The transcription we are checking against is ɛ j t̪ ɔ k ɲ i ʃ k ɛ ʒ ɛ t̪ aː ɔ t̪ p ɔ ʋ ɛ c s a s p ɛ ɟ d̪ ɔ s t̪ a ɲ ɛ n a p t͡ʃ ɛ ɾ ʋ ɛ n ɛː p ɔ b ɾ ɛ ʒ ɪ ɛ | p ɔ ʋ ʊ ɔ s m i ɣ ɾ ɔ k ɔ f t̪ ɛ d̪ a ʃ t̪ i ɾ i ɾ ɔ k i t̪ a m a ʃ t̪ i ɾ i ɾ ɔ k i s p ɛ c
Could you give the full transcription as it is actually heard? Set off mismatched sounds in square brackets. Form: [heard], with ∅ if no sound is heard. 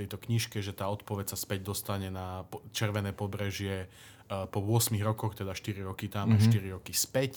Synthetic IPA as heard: ɛ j t̪ ɔ k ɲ i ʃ k ɛ ʒ ɛ t̪ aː ɔ t̪ p ɔ ʋ ɛ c s a s p ɛ ɟ d̪ ɔ s t̪ a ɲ ɛ n a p t͡ʃ ɛ ɾ ʋ ɛ n ɛː p ɔ b ɾ ɛ ʒ ɪ ɛ | p ɔ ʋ ʊ ɔ s m i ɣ ɾ ɔ k ɔ [x] t̪ ɛ d̪ a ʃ t̪ i ɾ i ɾ ɔ k i t̪ a m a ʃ t̪ i ɾ i ɾ ɔ k i s p ɛ c